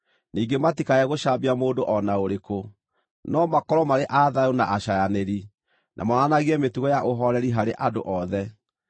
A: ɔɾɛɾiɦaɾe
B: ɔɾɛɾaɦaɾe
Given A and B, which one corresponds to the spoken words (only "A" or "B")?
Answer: A